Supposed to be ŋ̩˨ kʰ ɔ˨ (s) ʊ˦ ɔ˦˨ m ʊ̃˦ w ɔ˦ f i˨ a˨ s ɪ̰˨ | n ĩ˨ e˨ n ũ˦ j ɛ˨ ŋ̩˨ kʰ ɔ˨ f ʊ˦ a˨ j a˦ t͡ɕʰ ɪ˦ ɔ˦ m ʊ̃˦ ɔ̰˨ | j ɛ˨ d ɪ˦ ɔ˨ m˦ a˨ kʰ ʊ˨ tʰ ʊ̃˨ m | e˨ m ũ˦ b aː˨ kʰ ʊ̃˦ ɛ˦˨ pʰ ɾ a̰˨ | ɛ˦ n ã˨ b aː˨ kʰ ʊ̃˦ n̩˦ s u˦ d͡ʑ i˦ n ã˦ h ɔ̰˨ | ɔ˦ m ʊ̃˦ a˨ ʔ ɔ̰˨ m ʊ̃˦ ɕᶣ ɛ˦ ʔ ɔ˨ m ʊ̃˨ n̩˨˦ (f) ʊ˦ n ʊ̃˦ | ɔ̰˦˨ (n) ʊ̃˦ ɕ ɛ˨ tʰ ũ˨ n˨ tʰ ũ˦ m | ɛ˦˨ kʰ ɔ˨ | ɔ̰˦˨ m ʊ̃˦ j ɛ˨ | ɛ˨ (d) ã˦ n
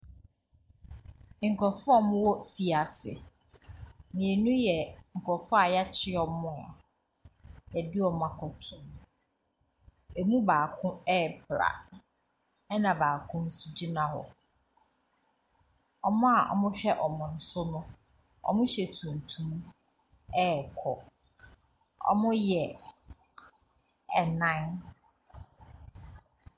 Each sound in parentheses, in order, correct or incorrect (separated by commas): incorrect, incorrect, incorrect, incorrect